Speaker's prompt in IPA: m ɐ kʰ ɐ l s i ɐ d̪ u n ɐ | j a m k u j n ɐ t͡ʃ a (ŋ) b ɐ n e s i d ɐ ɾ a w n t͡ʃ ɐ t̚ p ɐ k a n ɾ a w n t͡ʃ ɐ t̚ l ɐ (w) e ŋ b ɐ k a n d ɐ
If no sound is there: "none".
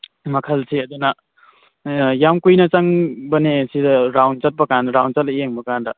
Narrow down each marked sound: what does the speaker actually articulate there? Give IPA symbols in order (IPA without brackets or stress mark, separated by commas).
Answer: ŋ, none